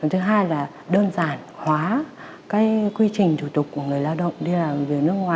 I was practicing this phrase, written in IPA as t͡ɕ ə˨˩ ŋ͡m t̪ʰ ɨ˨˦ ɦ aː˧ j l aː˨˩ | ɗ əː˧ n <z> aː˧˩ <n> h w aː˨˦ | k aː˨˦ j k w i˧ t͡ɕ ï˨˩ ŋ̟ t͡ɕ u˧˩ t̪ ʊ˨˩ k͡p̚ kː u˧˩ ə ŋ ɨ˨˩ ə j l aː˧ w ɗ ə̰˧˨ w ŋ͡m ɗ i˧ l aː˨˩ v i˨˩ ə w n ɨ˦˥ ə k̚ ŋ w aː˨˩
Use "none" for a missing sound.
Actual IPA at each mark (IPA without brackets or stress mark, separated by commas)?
z, n